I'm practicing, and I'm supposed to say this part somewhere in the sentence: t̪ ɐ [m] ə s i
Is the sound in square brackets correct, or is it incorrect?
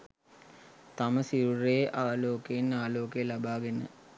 correct